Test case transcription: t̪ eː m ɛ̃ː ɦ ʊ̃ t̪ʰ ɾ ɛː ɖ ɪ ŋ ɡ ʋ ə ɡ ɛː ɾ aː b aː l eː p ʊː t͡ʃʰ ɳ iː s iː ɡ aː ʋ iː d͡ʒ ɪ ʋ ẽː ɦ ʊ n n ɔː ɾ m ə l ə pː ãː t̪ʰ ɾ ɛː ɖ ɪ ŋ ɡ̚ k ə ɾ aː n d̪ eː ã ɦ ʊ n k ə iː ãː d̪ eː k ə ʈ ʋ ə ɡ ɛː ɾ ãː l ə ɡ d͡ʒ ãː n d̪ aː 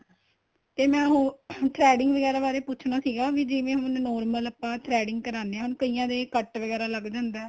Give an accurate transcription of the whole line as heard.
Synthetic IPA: t̪ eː m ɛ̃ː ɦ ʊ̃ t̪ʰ ɾ ɛː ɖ ɪ ŋ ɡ ʋ ə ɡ ɛː ɾ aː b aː ɾ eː p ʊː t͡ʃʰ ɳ aː s iː ɡ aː ʋ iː d͡ʒ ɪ ʋ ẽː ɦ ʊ n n ɔː ɾ m ə l ə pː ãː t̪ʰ ɾ ɛː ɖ ɪ ŋ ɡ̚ k ə ɾ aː n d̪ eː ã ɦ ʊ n k ə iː ãː d̪ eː k ə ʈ ʋ ə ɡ ɛː ɾ aː l ə ɡ d͡ʒ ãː n d̪ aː